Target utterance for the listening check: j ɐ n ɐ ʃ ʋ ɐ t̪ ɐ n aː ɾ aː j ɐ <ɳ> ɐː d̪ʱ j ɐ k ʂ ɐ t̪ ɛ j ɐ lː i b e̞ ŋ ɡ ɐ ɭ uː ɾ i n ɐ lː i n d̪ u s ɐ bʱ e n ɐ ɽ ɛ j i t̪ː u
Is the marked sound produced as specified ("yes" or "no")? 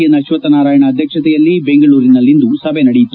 yes